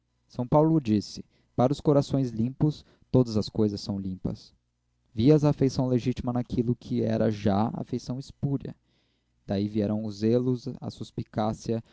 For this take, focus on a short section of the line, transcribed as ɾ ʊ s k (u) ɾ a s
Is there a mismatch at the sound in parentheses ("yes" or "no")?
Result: yes